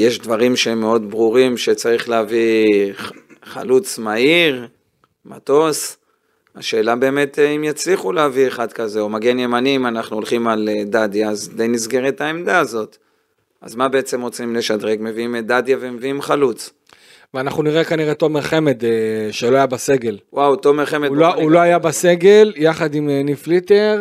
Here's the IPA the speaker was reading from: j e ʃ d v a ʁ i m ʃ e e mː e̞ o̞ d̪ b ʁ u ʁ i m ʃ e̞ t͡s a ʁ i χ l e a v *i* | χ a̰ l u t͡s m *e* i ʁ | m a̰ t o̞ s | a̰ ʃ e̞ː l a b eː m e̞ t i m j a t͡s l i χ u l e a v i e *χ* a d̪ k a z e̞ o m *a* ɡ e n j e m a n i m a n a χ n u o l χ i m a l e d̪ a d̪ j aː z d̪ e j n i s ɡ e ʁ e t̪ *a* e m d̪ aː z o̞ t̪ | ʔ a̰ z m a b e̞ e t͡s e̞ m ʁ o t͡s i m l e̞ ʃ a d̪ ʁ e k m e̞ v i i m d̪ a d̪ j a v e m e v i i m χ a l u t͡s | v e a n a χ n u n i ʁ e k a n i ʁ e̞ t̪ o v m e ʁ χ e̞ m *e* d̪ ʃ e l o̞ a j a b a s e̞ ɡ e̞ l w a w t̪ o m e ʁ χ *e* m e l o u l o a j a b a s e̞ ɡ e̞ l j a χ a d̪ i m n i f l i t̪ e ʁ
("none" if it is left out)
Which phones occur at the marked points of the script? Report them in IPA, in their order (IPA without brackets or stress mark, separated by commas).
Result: i, a, χ, a, a, e, e